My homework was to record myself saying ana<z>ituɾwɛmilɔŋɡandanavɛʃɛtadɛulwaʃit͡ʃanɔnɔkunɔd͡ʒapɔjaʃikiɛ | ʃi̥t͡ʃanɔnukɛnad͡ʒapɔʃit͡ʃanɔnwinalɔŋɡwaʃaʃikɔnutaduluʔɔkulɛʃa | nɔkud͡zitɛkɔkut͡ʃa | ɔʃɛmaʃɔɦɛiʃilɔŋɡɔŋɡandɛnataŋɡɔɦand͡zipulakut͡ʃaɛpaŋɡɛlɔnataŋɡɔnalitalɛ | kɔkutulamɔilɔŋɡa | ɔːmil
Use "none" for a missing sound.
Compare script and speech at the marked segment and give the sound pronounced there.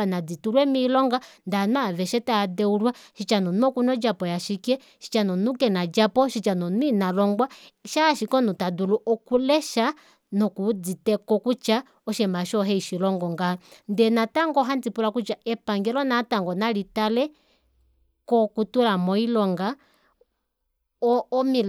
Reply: d͡z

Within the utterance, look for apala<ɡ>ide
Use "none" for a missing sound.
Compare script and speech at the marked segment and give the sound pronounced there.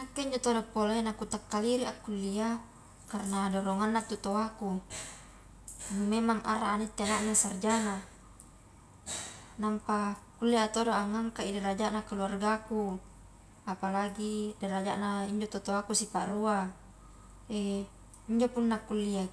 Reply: ɡ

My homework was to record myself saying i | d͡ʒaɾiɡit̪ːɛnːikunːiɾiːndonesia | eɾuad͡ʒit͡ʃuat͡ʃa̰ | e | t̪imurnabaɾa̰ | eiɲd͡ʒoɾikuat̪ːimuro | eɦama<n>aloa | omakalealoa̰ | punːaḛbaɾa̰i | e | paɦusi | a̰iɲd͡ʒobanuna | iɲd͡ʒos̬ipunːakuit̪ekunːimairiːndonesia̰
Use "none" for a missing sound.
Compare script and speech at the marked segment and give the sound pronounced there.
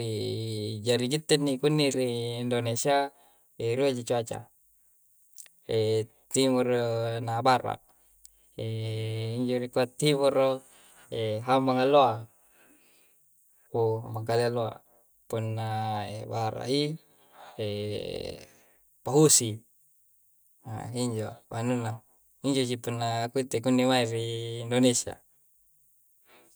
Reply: ŋ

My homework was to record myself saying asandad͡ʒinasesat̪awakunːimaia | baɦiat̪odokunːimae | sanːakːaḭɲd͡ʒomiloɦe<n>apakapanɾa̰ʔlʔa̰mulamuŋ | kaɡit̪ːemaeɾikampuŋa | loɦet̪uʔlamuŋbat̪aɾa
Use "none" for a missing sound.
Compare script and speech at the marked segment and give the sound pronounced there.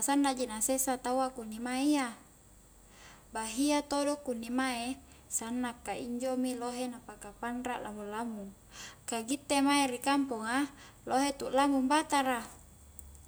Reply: n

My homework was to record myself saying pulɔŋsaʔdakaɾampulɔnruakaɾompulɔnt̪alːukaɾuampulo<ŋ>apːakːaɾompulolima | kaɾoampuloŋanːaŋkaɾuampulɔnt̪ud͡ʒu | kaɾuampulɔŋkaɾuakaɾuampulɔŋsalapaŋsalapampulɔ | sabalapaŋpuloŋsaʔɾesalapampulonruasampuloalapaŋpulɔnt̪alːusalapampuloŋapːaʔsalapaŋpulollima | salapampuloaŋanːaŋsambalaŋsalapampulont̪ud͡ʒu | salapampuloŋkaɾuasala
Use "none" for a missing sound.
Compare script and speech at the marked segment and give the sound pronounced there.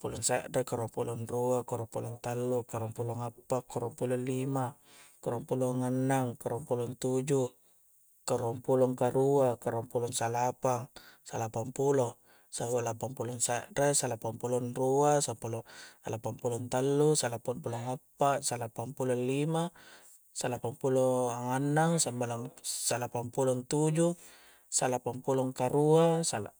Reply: ŋ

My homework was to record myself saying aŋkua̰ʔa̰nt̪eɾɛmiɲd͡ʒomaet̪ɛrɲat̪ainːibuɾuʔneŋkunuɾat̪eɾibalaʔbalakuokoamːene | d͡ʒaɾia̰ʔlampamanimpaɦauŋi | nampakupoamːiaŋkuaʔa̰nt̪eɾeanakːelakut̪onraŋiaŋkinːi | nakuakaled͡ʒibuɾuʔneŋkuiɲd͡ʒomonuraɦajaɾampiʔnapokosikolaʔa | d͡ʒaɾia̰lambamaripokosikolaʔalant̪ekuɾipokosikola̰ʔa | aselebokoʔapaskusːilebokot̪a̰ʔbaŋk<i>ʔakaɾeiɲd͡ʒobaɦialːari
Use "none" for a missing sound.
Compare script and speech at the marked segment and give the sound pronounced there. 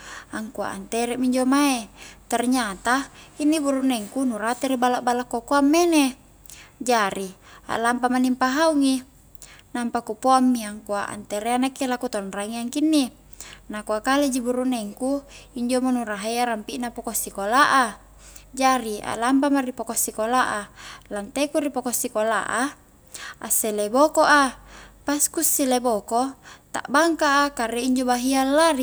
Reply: a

